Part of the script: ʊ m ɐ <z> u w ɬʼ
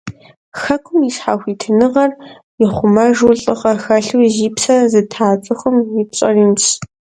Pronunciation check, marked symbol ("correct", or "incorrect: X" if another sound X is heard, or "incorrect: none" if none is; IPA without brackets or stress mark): incorrect: ʒ